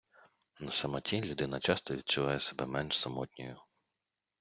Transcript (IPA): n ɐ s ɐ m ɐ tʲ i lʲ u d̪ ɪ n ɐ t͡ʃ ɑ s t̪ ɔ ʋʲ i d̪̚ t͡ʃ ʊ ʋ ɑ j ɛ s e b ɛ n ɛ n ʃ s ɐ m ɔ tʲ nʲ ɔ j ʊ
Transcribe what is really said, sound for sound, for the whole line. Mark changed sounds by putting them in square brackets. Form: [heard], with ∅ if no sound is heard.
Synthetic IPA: n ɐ s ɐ m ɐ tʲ i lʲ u d̪ ɪ n ɐ t͡ʃ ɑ s t̪ ɔ ʋʲ i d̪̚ t͡ʃ ʊ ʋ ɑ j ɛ s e b ɛ [m] ɛ n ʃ s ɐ m ɔ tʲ nʲ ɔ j ʊ